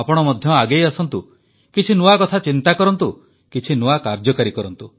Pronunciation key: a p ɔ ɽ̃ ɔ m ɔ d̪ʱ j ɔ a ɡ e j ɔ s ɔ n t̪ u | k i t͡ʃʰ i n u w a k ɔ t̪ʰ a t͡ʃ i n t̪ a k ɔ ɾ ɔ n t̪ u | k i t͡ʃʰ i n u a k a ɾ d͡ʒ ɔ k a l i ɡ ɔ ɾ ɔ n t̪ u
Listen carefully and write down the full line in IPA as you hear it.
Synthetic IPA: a p ɔ ɽ̃ ɔ m ɔ d̪ʱ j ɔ a ɡ e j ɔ s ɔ n t̪ u | k i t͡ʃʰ i n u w a k ɔ t̪ʰ a t͡ʃ i n t̪ a k ɔ ɾ ɔ n t̪ u | k i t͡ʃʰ i n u a k a ɾ d͡ʒ ɔ k a ɾ i k ɔ ɾ ɔ n t̪ u